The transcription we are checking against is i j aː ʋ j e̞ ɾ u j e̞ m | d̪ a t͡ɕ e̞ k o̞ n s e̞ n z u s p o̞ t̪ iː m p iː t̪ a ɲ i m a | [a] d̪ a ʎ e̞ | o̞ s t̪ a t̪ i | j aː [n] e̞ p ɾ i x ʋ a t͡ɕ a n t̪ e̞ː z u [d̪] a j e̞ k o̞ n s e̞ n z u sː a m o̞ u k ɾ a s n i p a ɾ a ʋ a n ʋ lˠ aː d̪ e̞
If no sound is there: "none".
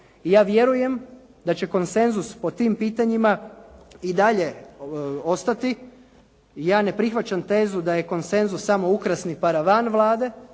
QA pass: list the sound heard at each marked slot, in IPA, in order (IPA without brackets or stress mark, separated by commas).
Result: i, n, d̪